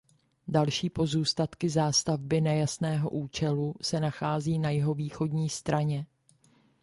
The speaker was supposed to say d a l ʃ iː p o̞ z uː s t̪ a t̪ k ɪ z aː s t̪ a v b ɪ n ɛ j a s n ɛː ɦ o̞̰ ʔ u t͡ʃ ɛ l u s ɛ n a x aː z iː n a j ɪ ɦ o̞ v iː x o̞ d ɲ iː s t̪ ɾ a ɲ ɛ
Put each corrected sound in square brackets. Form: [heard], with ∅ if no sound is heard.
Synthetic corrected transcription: d a l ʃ iː p o̞ z uː s t̪ a t̪ k ɪ z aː s t̪ a v b ɪ n ɛ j a s n ɛː ɦ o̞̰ ʔ [uː] t͡ʃ ɛ l u s ɛ n a x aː z iː n a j ɪ ɦ o̞ v iː x o̞ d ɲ iː s t̪ ɾ a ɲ ɛ